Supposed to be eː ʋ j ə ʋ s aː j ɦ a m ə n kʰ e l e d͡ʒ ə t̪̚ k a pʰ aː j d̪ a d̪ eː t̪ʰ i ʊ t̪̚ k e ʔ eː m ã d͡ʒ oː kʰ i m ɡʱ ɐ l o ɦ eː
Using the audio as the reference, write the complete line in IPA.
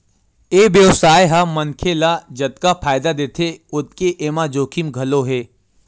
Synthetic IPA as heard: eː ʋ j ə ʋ s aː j ɦ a m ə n kʰ e l a d͡ʒ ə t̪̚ k a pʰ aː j d̪ a d̪ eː t̪ʰ e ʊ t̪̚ k e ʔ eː m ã d͡ʒ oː kʰ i m ɡʱ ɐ l o ɦ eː